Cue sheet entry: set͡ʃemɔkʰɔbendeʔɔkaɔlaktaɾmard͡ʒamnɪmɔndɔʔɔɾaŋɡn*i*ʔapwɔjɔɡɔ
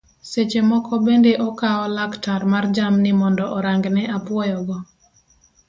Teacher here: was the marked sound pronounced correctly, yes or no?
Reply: no